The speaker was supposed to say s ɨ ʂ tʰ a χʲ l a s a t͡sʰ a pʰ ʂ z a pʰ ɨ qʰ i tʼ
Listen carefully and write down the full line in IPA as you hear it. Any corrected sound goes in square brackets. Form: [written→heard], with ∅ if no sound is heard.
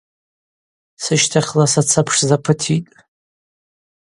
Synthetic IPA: s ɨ [ʂ→ʃ] tʰ a χʲ l a s a t͡sʰ a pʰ ʂ z a pʰ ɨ [qʰ→tʰ] i tʼ